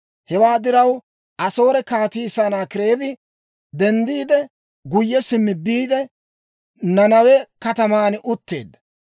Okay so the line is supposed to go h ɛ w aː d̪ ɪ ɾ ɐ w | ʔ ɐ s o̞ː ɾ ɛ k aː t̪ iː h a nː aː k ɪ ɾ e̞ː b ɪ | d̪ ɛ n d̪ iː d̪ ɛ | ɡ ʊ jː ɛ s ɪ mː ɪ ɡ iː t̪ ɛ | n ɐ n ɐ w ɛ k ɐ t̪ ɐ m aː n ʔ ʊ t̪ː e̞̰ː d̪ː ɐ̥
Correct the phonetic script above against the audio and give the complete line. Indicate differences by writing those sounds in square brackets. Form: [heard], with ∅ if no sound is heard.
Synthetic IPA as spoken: h ɛ w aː d̪ ɪ ɾ ɐ w | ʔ ɐ s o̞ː ɾ ɛ k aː t̪ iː [s] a [n] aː k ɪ ɾ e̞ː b ɪ | d̪ ɛ n d̪ iː d̪ ɛ | ɡ ʊ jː ɛ s ɪ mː ɪ [b] iː [d̪] ɛ | n ɐ n ɐ w ɛ k ɐ t̪ ɐ m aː n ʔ ʊ t̪ː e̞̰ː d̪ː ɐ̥